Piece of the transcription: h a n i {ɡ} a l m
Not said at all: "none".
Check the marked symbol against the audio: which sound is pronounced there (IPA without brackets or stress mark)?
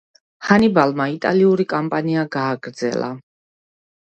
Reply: b